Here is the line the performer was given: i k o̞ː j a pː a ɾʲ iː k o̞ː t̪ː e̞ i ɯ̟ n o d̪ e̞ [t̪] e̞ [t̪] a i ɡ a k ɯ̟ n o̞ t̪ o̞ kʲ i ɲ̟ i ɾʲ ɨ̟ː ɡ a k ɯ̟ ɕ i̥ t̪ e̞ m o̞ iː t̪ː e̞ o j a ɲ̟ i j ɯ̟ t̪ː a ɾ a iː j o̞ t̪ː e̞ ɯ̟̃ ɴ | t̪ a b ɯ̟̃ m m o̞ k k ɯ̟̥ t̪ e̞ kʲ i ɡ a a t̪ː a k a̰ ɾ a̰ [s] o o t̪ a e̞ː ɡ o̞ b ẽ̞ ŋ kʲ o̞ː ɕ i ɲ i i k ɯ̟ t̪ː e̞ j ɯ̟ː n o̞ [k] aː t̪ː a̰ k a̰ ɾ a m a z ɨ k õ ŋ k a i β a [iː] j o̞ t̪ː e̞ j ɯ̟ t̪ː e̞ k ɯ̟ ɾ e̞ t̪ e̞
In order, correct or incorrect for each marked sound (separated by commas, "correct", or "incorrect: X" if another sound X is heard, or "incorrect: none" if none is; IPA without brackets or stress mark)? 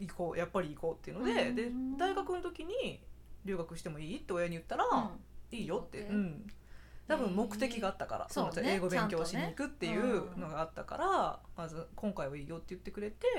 incorrect: d̪, incorrect: d̪, correct, incorrect: ɡ, correct